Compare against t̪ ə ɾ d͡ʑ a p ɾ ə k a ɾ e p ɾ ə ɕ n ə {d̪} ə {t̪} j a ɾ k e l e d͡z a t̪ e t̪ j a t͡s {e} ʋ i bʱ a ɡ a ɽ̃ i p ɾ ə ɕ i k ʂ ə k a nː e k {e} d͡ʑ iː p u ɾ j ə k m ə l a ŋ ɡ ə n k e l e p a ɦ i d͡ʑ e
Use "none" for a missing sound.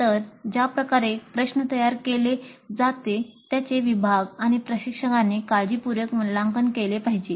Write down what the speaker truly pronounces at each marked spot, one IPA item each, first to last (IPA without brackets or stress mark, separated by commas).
t̪, none, e, a